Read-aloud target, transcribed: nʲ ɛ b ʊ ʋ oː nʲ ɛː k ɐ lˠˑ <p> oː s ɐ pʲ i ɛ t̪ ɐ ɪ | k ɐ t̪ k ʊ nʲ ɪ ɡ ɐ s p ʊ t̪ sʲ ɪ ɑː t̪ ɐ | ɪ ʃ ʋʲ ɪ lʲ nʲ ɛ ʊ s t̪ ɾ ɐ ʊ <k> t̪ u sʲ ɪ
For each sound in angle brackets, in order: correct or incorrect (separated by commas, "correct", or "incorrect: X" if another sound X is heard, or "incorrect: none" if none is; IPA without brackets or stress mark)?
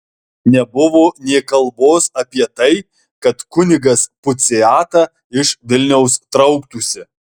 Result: incorrect: b, correct